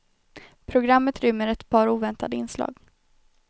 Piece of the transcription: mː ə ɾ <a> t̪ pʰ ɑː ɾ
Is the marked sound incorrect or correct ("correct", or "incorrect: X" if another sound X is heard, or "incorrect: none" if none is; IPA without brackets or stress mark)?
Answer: incorrect: ɛ